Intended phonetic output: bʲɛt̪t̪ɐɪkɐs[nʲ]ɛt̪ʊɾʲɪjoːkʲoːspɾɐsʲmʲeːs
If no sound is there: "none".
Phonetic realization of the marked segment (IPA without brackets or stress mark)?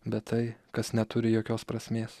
nʲ